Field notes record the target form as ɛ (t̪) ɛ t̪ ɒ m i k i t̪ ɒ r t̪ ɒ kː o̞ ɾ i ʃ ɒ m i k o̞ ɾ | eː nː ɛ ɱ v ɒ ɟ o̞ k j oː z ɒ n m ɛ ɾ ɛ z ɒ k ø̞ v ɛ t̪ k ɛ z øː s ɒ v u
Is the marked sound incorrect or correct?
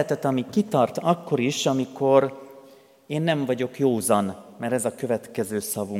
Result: correct